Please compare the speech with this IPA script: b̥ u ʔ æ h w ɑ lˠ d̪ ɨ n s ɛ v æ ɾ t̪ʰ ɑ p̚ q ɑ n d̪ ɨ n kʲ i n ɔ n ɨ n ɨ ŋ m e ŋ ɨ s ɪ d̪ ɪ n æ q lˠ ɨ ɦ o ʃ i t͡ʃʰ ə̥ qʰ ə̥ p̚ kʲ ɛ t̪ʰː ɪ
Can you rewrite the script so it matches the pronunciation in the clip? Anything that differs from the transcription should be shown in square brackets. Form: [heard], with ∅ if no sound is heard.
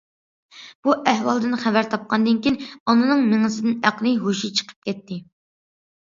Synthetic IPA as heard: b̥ u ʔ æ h w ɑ lˠ d̪ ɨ n [χ] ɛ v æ ɾ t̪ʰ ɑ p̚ q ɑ n d̪ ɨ n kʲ i n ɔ n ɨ n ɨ ŋ m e ŋ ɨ s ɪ d̪ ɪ n æ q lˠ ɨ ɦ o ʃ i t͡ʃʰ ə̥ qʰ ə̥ p̚ kʲ ɛ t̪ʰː ɪ